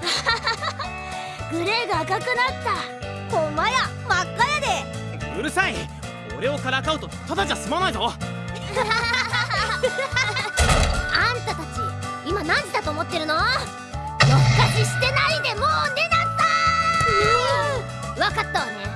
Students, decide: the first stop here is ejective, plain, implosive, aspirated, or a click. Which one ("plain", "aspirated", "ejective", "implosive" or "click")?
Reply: plain